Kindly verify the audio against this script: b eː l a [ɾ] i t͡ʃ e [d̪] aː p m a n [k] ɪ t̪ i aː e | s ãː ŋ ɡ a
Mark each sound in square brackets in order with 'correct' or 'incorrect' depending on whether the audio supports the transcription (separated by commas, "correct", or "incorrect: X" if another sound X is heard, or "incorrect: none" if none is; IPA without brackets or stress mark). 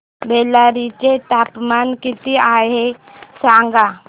correct, incorrect: t̪, correct